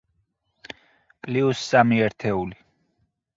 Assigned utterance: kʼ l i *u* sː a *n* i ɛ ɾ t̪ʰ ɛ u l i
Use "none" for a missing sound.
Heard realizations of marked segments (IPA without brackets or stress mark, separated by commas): u, m